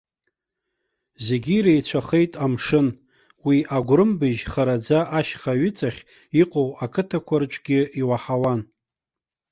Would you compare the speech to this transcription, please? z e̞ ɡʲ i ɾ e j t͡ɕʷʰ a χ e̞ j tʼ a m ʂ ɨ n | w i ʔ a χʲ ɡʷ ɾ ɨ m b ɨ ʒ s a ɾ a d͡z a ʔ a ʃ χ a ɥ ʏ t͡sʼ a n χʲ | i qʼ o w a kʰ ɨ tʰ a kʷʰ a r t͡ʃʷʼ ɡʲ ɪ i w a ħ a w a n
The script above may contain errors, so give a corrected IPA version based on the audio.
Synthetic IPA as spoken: z e̞ ɡʲ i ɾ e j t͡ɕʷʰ a χ e̞ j tʼ a m ʂ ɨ n | w i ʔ a ɡʷ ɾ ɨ m b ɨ ʒ χ a ɾ a d͡z a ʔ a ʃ χ a ɥ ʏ t͡sʼ a χʲ | i qʼ o w a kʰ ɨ tʰ a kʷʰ a r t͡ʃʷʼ ɡʲ ɪ i w a ħ a w a n